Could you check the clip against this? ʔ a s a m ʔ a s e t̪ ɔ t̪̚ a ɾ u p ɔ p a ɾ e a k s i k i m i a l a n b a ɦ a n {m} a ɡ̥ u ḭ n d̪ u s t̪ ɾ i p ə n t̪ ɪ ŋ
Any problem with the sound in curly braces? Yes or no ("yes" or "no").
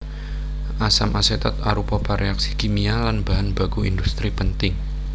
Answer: yes